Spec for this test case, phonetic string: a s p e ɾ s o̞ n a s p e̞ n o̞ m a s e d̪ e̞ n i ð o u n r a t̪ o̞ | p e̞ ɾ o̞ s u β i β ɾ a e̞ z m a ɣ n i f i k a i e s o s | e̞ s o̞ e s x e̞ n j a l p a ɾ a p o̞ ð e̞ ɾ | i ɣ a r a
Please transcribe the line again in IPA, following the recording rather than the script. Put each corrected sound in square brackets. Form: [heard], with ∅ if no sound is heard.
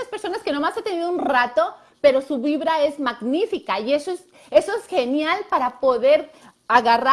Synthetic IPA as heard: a s p e ɾ s o̞ n a s [k] e̞ n o̞ m a s e [t̪] e̞ n i ð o u n r a t̪ o̞ | p e̞ ɾ o̞ s u β i β ɾ a e̞ z m a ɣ n i f i k a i e s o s | e̞ s o̞ e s x e̞ n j a l p a ɾ a p o̞ ð e̞ ɾ | [a] ɣ a r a